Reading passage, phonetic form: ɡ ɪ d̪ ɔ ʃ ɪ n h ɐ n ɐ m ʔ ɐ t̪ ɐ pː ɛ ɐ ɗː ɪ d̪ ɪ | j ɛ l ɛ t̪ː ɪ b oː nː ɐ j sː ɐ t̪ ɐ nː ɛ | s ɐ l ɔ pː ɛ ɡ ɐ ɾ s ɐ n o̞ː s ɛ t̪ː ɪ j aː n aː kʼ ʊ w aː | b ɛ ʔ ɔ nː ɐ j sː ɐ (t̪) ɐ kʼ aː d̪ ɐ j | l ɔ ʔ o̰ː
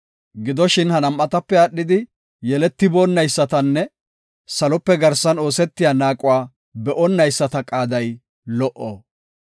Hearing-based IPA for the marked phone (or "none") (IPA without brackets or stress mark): t̪